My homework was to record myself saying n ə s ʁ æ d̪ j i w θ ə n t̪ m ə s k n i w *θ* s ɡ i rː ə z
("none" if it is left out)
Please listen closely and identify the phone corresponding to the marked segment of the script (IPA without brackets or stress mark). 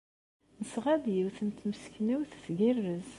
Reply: θ